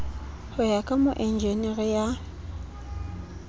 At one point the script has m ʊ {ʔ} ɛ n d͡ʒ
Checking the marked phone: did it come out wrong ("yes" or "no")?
no